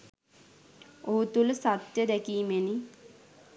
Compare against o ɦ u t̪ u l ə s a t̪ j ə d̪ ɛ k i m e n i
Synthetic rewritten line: o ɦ u t̪ u l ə s a t̪ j ə d̪ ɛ k iː m e n i